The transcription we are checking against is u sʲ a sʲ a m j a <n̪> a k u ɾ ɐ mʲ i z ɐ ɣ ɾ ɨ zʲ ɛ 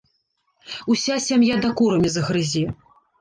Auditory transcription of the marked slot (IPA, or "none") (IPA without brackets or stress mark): d̪